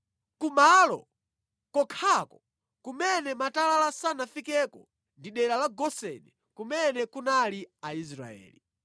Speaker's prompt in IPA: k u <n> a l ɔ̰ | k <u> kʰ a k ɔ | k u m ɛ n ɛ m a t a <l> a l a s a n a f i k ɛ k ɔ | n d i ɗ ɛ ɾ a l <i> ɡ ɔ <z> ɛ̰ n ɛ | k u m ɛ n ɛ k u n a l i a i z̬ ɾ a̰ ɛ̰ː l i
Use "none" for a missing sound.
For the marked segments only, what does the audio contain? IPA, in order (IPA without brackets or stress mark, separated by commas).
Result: m, ɔ, l, a, s